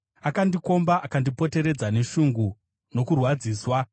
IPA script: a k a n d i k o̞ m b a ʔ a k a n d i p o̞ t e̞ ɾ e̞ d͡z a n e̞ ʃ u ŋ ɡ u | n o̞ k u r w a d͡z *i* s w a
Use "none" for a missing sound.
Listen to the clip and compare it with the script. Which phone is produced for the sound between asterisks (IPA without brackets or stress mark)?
iː